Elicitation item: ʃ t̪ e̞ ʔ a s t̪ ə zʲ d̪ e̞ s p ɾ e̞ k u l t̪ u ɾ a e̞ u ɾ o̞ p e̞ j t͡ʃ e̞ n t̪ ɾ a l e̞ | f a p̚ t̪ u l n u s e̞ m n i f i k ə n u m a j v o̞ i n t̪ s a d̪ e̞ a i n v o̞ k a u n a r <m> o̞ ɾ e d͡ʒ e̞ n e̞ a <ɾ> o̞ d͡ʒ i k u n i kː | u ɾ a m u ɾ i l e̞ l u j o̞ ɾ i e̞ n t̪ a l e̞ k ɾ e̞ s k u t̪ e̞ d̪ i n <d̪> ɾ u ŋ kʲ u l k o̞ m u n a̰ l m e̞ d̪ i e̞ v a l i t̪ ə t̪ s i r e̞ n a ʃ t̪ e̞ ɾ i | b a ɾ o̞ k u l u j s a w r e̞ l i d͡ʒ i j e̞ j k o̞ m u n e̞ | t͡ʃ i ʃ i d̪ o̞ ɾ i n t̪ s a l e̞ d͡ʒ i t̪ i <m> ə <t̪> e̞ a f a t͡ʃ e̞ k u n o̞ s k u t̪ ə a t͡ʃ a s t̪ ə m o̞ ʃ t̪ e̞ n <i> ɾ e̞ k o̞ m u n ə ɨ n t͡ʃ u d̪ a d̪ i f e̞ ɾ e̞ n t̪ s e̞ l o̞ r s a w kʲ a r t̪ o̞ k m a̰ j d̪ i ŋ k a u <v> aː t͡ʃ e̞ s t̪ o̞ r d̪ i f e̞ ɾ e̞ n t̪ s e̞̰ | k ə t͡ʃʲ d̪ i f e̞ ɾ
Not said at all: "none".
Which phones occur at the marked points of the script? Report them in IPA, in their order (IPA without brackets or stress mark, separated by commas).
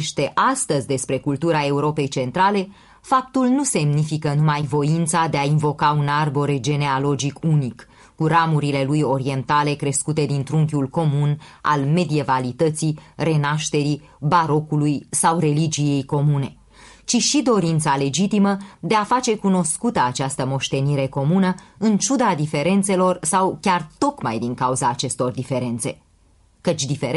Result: b, l, t̪, m, d̪, i, z